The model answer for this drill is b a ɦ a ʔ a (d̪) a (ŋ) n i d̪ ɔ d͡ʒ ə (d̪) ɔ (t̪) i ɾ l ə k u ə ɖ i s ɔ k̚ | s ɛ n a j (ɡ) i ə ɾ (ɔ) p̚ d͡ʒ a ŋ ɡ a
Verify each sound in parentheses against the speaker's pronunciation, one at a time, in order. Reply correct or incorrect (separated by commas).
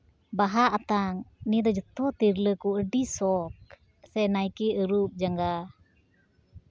incorrect, correct, incorrect, correct, incorrect, incorrect